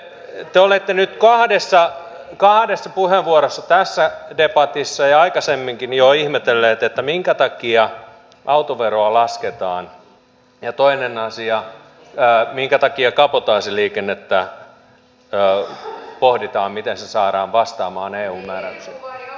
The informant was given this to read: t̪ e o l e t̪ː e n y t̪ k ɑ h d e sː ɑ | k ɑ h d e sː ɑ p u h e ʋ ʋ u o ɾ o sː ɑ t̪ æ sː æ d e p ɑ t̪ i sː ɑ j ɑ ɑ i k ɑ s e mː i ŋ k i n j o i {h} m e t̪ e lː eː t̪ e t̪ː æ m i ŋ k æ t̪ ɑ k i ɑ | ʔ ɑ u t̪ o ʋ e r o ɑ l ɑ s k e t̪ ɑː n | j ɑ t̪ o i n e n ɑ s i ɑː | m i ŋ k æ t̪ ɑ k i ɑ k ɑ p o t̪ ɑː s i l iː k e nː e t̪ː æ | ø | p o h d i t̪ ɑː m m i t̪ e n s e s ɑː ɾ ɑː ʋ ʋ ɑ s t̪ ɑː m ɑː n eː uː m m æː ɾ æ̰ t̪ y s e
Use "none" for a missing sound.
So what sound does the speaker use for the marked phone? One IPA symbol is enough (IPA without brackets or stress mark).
h